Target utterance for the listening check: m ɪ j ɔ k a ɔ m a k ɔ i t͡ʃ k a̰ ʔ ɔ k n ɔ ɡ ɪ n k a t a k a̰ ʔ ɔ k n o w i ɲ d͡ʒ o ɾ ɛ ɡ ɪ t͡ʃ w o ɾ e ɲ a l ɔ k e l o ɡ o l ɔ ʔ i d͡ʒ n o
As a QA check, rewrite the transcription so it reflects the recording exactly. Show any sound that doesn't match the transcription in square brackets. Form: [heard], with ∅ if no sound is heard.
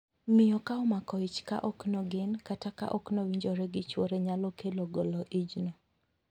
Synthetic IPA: m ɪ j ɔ k a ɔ m a k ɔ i t͡ʃ k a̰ ʔ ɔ k n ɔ ɡ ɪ n k a t a k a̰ ʔ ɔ k n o w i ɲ d͡ʒ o ɾ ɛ ɡ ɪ t͡ʃ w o ɾ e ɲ a l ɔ k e l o ɡ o l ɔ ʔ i d͡ʒ n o